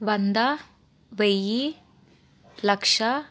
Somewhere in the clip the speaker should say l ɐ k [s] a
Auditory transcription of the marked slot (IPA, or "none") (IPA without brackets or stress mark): ʂ